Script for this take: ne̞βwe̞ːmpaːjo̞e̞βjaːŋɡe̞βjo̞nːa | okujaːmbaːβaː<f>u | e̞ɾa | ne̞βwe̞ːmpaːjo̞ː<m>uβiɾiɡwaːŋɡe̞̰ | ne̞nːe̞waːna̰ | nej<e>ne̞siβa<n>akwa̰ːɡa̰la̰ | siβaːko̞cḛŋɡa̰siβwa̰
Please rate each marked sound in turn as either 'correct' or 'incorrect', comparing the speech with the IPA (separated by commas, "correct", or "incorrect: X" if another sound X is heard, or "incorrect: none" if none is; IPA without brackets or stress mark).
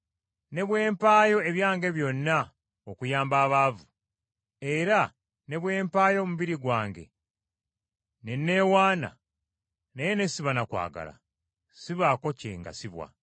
incorrect: v, correct, correct, correct